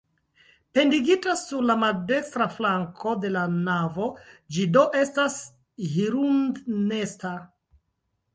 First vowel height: mid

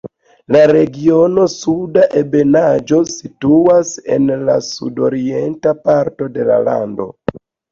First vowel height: low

